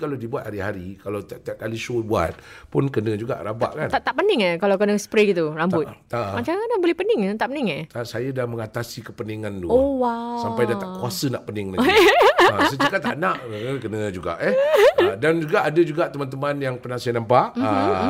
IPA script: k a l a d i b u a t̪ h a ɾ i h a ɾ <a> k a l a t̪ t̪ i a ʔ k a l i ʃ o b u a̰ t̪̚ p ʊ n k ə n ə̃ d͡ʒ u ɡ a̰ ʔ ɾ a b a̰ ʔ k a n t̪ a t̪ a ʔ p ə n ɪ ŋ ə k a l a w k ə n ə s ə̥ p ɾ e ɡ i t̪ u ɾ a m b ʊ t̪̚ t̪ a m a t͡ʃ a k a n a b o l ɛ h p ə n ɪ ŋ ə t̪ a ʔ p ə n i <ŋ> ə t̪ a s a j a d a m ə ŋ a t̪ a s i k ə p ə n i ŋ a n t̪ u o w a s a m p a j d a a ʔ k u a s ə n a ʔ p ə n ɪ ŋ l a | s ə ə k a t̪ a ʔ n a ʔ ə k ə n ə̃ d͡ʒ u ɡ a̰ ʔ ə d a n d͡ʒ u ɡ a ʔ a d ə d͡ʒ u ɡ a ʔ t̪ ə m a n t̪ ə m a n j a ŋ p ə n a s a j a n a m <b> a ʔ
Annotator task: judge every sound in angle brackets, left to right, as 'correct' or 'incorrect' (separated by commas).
incorrect, correct, incorrect